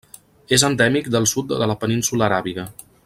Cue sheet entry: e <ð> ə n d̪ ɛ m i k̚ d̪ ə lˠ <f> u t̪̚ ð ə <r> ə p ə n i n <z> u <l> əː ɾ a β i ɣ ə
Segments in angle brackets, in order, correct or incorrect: incorrect, incorrect, incorrect, incorrect, correct

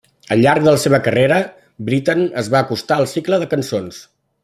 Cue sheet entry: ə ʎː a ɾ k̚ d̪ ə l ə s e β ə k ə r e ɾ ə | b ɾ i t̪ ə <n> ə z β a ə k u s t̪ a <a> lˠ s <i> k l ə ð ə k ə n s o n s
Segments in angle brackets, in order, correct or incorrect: correct, incorrect, correct

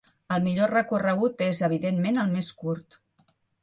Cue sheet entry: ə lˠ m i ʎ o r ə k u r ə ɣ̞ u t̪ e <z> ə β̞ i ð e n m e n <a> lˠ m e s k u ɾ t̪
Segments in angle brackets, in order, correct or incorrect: correct, incorrect

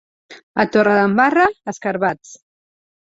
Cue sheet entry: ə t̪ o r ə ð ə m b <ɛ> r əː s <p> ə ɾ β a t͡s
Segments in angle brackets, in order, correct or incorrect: incorrect, incorrect

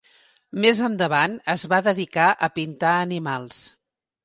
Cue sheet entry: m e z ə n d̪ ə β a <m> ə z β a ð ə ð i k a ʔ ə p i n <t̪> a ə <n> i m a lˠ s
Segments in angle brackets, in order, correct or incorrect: incorrect, correct, correct

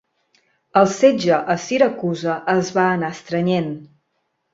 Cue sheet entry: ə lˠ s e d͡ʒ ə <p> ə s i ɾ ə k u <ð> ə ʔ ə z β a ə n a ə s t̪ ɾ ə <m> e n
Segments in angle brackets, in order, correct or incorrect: incorrect, incorrect, incorrect

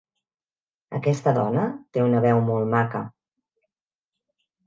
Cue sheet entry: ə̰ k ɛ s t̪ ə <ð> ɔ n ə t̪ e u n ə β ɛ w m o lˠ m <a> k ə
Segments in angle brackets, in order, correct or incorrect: correct, correct

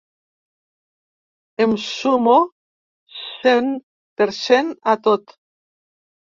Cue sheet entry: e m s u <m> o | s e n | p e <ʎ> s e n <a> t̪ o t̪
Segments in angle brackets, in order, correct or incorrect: correct, incorrect, correct

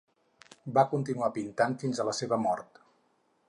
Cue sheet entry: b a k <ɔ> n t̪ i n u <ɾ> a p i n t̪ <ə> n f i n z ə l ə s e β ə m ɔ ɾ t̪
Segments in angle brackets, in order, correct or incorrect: incorrect, incorrect, incorrect

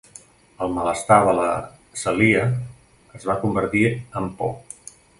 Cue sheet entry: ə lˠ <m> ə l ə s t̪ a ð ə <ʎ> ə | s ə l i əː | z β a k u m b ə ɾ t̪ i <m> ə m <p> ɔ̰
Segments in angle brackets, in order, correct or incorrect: correct, incorrect, incorrect, correct

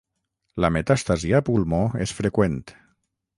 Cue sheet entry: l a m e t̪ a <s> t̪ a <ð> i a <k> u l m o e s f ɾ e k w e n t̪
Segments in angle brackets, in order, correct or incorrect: correct, incorrect, incorrect

